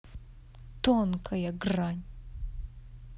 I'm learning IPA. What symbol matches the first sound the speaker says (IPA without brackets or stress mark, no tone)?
t̪